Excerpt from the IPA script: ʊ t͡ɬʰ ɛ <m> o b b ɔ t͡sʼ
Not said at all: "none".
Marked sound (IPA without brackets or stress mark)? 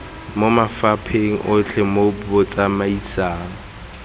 m